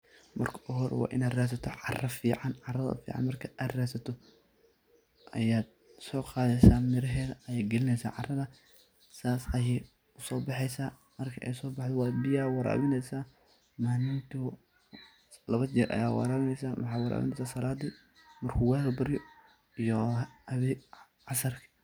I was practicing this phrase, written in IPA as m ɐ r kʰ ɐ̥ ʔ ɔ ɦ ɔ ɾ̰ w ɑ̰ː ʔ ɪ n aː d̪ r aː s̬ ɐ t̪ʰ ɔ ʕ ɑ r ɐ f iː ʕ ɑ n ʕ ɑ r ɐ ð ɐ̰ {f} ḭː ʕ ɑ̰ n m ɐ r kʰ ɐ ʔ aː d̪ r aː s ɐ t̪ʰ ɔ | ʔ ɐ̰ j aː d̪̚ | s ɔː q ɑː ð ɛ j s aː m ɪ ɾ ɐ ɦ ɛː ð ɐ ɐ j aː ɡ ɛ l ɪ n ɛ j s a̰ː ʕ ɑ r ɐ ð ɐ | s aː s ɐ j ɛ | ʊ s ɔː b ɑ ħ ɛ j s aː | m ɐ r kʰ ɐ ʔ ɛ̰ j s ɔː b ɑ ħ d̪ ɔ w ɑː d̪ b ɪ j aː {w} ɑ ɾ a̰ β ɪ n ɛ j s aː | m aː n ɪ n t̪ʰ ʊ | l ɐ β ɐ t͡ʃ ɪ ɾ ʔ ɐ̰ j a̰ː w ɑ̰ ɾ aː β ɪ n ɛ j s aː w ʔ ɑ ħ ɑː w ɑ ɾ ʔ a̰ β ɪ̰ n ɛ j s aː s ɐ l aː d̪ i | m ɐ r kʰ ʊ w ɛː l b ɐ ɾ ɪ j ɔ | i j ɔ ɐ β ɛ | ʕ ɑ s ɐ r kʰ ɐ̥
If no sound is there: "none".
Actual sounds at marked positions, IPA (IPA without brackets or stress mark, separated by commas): f, w